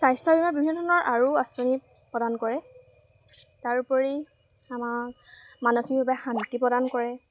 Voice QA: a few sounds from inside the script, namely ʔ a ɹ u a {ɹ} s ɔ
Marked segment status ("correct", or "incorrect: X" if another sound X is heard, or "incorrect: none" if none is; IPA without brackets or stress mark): incorrect: none